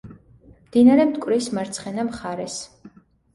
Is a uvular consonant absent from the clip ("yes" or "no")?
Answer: no